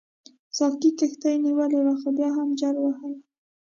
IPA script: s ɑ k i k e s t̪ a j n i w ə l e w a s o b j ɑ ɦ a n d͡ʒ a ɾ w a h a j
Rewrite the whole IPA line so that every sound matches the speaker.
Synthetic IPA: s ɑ k i k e x t̪ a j n i w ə l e w a x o b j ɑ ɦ a m d͡ʒ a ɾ w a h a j